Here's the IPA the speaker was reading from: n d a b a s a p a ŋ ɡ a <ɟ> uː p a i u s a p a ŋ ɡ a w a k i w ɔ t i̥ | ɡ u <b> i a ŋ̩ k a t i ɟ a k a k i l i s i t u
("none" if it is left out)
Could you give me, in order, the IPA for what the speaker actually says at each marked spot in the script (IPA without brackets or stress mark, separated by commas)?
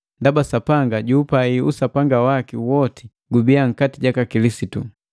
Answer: ɟ, b